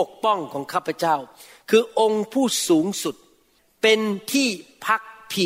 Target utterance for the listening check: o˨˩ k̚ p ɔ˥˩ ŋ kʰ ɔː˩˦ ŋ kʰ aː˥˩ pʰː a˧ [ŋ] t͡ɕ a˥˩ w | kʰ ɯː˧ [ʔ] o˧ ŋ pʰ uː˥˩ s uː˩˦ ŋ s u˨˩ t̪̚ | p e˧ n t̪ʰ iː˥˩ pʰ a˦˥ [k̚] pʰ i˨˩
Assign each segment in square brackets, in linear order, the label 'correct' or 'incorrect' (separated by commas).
incorrect, correct, correct